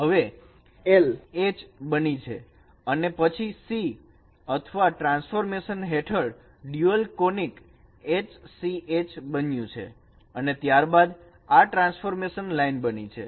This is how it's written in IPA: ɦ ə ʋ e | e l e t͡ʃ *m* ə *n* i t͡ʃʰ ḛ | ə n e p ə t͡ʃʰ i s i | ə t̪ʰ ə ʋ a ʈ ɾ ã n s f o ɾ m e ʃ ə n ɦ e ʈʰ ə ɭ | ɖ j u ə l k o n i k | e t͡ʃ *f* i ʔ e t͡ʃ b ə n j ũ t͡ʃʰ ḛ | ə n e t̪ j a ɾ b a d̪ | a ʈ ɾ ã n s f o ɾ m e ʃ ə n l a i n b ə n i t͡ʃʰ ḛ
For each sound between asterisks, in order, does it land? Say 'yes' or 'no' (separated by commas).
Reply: no, yes, no